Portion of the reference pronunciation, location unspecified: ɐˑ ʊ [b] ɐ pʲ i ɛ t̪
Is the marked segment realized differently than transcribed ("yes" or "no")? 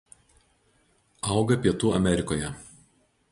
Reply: yes